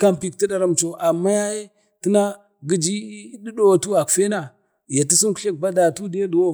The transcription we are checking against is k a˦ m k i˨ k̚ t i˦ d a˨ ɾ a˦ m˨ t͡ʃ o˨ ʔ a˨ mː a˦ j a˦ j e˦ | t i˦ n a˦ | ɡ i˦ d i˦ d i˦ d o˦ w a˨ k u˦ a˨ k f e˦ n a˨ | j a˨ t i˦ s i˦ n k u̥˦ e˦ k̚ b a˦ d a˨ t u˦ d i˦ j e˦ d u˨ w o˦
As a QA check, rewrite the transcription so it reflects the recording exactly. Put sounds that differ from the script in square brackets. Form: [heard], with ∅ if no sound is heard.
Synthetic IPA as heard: k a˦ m [p] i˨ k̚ t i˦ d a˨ ɾ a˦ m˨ t͡ʃ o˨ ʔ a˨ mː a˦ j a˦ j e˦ | t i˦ n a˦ | ɡ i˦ [d͡ʒ] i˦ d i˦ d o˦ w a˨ [t] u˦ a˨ k f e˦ n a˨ | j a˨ t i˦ s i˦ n k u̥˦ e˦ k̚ b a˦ d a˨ t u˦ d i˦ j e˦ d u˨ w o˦